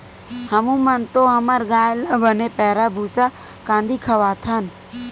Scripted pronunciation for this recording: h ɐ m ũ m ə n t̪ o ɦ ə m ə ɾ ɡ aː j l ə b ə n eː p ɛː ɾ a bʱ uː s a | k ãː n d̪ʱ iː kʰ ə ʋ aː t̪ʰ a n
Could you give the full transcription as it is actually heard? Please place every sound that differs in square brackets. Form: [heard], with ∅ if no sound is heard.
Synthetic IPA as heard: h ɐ m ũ m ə n t̪ o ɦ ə m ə ɾ ɡ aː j l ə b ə n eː p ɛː ɾ a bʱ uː s a | k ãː n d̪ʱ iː kʰ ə ʋ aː t̪ʰ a n